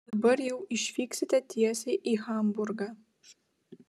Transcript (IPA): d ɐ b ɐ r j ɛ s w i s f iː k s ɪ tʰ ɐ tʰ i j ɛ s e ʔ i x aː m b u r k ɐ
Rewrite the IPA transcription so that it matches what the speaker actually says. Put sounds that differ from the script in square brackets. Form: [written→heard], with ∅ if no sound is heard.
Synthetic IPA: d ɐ b ɐ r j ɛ [s→∅] w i [s→ʃ] f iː k s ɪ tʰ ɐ tʰ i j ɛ s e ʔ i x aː m b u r [k→ɡ] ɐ

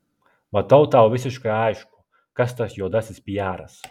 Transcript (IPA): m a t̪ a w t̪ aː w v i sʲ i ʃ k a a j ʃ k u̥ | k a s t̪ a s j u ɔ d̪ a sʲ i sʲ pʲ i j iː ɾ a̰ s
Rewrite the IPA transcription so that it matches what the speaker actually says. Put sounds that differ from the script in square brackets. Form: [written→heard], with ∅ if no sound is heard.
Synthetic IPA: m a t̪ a w t̪ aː w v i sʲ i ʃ k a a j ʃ k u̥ | k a s t̪ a s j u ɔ d̪ a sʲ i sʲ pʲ i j [iː→aː] ɾ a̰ s

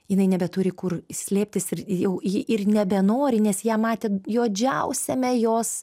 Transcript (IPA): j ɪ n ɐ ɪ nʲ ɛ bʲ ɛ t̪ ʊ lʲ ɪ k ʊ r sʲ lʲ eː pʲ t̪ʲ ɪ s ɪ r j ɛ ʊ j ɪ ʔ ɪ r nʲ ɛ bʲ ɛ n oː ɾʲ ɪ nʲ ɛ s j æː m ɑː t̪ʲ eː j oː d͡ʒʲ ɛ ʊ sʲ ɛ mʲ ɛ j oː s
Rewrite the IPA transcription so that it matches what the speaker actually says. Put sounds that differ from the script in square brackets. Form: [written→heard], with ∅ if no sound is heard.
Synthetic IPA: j ɪ n ɐ ɪ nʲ ɛ bʲ ɛ t̪ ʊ [lʲ→ɾʲ] ɪ k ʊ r sʲ lʲ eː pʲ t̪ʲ ɪ s ɪ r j ɛ ʊ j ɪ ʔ ɪ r nʲ ɛ bʲ ɛ n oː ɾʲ ɪ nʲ ɛ s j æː m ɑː t̪ʲ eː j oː d͡ʒʲ ɛ ʊ sʲ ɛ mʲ ɛ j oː s

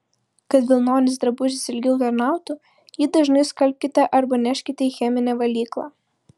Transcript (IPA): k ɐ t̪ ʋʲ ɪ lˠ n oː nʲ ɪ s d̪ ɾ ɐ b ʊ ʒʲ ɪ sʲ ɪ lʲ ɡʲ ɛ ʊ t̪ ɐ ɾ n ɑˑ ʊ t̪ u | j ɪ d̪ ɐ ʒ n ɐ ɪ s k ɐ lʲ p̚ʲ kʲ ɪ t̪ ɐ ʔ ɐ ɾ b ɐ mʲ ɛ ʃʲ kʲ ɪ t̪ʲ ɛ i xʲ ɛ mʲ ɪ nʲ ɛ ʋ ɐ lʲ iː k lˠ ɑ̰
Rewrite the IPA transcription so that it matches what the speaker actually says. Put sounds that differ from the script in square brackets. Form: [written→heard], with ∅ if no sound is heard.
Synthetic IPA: k ɐ t̪ ʋʲ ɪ lˠ n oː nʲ ɪ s d̪ ɾ ɐ b ʊ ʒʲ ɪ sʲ ɪ lʲ ɡʲ ɛ ʊ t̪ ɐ ɾ n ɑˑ ʊ t̪ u | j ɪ d̪ ɐ ʒ n ɐ ɪ s k ɐ lʲ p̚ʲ kʲ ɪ t̪ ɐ ʔ ɐ ɾ b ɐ [mʲ→nʲ] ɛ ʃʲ kʲ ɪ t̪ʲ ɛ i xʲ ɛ mʲ ɪ nʲ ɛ ʋ ɐ lʲ iː k lˠ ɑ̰

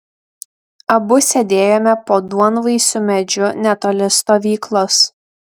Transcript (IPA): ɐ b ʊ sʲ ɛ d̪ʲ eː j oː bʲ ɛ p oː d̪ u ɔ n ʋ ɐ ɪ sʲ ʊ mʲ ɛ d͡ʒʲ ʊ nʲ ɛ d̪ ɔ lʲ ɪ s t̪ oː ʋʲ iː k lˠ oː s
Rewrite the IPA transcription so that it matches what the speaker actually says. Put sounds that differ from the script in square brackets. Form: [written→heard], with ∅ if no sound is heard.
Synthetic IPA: ɐ b ʊ sʲ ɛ d̪ʲ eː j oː [bʲ→mʲ] ɛ p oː d̪ u ɔ n ʋ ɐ ɪ sʲ ʊ mʲ ɛ d͡ʒʲ ʊ nʲ ɛ [d̪→t̪] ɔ lʲ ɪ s t̪ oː ʋʲ iː k lˠ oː s

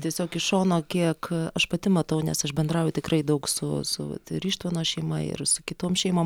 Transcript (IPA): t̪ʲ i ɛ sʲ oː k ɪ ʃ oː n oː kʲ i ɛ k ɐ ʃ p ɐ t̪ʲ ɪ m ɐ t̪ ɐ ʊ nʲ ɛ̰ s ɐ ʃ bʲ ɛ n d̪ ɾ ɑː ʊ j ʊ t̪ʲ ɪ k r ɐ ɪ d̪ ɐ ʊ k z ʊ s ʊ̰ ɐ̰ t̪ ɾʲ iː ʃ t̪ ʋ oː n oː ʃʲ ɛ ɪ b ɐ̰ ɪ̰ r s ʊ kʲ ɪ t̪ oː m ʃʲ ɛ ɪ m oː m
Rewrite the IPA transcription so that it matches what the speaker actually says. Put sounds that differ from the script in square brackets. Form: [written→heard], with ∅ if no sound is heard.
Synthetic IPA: t̪ʲ i ɛ sʲ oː k ɪ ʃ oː n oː kʲ i ɛ k ɐ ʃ p ɐ t̪ʲ ɪ m ɐ t̪ ɐ ʊ nʲ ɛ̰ s ɐ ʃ bʲ ɛ n d̪ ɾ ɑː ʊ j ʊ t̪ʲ ɪ k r ɐ ɪ d̪ ɐ ʊ k [z→s] ʊ s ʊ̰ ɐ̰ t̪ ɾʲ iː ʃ t̪ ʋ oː n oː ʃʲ ɛ ɪ [b→m] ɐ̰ ɪ̰ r s ʊ kʲ ɪ t̪ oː m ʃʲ ɛ ɪ m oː m

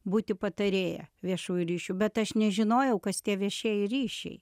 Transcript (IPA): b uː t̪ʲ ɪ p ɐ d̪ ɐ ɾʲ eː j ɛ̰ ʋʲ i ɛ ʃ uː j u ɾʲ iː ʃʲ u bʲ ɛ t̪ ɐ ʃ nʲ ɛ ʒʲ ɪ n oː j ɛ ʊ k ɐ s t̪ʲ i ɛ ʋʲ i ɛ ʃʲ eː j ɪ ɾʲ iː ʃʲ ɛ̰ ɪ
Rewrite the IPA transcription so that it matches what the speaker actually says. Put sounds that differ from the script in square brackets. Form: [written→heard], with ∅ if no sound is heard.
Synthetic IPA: b uː t̪ʲ ɪ p ɐ [d̪→t̪] ɐ ɾʲ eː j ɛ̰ ʋʲ i ɛ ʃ uː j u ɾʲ iː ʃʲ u bʲ ɛ t̪ ɐ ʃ nʲ ɛ ʒʲ ɪ n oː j ɛ ʊ k ɐ s t̪ʲ i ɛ ʋʲ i ɛ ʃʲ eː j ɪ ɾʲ iː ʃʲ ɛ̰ ɪ

